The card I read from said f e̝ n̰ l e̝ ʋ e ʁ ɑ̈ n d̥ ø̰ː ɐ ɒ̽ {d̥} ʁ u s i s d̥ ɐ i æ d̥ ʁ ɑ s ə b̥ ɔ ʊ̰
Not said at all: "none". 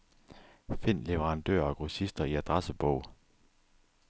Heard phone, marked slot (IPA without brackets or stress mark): ɡ̥